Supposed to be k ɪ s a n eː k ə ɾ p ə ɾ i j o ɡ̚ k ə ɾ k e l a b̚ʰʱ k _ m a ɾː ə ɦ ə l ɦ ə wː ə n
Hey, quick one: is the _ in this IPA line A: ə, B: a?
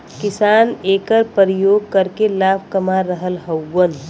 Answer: A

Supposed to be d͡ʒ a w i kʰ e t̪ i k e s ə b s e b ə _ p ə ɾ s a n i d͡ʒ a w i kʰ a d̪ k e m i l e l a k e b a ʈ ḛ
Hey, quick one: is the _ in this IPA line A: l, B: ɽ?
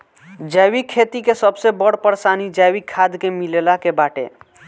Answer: B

